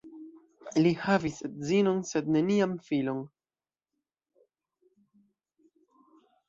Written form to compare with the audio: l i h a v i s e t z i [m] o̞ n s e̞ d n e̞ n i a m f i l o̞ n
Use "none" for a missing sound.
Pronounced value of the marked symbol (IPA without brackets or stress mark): n